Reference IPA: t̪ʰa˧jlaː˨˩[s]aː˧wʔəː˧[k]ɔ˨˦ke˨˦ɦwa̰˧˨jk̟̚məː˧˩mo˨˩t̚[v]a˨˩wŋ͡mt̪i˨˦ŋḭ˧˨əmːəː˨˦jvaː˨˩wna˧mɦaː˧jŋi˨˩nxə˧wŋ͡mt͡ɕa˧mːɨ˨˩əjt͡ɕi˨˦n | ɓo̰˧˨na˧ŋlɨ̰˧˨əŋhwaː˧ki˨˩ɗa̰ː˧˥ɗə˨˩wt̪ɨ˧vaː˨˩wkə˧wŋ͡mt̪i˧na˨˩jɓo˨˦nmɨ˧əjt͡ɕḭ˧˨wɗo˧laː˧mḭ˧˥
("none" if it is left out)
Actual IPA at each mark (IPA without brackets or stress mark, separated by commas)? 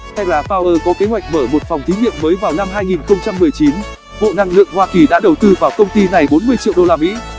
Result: f, k, f